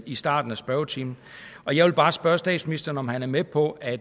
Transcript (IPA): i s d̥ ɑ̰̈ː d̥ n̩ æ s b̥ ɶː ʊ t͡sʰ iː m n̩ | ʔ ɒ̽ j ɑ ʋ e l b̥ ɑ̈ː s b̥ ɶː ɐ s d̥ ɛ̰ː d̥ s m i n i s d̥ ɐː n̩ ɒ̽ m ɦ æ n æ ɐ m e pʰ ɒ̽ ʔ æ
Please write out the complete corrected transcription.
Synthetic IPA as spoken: i s d̥ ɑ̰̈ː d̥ n̩ æ s b̥ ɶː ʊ t͡sʰ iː m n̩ | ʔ ɒ̽ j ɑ ʋ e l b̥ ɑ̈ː s b̥ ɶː ɐ s d̥ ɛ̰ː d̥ s m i n i s d̥ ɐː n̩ ɒ̽ m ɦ æ n æ ɐ m e pʰ ɒ̽ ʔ æ